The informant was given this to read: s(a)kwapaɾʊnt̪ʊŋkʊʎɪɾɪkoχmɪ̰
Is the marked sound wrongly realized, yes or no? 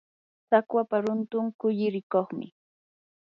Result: no